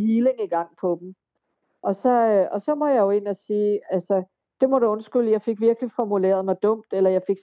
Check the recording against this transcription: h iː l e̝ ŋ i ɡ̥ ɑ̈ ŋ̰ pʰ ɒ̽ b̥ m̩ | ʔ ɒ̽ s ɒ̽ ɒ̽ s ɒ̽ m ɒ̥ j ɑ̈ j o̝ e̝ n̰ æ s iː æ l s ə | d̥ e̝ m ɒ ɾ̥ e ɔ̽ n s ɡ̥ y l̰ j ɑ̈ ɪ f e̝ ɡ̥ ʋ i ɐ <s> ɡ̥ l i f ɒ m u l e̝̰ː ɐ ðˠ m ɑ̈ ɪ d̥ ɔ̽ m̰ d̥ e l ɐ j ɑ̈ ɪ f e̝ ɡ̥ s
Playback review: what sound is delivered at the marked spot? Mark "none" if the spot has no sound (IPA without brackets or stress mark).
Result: none